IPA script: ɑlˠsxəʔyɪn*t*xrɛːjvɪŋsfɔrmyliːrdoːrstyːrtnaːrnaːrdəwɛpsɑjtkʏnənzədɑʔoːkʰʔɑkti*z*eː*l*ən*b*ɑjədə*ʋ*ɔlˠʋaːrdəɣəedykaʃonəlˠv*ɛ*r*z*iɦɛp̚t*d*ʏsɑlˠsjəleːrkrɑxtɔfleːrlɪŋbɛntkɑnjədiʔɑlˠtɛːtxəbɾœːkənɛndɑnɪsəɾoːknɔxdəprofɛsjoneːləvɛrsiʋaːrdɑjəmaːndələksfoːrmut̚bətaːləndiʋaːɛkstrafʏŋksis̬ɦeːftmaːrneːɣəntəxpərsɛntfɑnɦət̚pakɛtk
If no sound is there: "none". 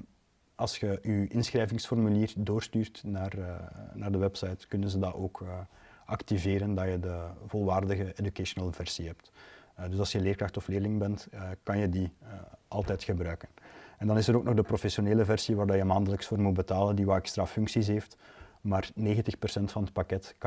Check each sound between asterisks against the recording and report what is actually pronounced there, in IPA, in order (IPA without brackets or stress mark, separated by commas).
s, v, ɾ, d, v, ɛ, s, d